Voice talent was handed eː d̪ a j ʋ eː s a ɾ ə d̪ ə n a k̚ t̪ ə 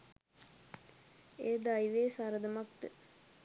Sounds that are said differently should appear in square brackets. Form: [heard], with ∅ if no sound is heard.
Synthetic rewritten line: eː d̪ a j ʋ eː s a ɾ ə d̪ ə [m] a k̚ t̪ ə